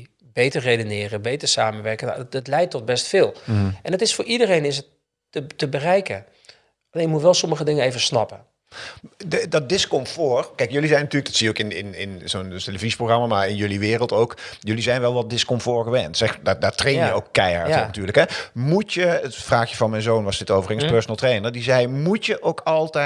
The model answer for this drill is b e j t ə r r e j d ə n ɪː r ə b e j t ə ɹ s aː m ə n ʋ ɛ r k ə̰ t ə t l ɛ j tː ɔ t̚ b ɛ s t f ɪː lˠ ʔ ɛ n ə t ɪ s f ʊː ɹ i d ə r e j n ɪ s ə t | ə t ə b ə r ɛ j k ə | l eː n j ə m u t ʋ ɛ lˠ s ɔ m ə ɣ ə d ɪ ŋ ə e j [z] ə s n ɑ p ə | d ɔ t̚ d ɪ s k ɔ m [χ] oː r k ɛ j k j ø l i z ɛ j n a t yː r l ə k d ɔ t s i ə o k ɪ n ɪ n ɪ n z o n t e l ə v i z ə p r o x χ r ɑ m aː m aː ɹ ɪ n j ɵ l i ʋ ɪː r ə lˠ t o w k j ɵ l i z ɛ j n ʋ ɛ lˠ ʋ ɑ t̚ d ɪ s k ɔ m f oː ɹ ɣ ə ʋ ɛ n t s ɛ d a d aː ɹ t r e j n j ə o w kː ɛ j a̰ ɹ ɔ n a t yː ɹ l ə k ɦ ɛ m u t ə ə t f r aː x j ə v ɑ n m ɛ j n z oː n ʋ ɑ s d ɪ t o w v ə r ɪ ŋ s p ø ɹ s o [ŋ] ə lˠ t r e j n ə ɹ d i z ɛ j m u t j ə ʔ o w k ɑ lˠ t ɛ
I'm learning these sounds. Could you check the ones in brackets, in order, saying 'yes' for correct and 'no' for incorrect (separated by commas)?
no, no, no